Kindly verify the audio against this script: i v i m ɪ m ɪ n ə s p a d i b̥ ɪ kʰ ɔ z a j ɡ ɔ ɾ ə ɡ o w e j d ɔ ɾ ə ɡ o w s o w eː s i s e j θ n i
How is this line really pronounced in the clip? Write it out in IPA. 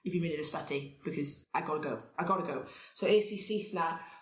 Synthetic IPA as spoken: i v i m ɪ n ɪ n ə s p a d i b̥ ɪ kʰ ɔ z a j ɡ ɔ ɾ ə ɡ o w a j ɡ ɔ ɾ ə ɡ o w s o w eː s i s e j θ n a